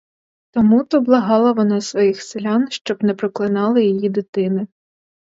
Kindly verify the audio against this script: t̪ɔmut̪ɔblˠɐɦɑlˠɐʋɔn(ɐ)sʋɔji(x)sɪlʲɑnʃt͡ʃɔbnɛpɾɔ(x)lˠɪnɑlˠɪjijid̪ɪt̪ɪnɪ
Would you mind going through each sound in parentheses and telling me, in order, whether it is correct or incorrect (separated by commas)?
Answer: incorrect, correct, incorrect